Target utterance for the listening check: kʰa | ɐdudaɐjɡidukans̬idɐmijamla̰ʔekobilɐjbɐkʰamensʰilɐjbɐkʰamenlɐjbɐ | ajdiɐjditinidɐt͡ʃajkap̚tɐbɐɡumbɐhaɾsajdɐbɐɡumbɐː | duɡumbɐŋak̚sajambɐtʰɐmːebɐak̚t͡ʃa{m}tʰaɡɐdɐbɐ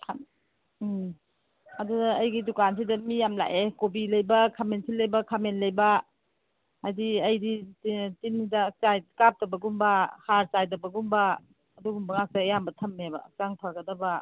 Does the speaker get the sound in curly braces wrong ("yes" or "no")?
yes